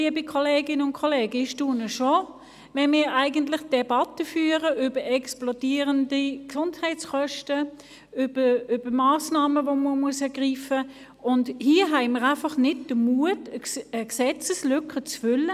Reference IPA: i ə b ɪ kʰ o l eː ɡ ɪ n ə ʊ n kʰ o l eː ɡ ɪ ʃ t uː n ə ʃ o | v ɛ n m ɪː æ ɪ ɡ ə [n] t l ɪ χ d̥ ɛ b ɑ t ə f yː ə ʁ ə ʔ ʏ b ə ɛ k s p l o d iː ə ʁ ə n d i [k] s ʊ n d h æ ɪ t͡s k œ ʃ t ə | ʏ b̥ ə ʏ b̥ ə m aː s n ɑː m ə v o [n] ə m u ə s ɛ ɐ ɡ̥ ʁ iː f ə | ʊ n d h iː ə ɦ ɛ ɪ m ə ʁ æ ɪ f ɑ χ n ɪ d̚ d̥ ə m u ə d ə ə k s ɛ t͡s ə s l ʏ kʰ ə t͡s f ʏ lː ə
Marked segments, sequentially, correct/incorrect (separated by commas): correct, correct, incorrect